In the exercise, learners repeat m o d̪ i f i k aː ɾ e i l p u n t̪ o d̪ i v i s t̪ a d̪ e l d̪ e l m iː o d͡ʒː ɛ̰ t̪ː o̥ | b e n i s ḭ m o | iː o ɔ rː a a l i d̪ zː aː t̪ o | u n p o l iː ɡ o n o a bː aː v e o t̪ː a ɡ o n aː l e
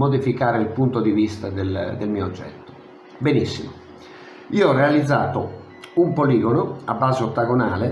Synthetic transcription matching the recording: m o d̪ i f i k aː ɾ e i l p u n t̪ o d̪ i v i s t̪ a d̪ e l d̪ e l m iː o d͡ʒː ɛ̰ t̪ː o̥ | b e n i sː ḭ m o | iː o ɔ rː e a l i d̪ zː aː t̪ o | u m p o l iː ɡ o n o a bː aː z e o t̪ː a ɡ o n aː l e